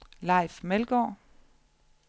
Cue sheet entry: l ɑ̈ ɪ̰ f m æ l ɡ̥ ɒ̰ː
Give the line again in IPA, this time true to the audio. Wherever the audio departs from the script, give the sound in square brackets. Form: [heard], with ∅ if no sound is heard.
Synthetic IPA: l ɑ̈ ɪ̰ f m [e] l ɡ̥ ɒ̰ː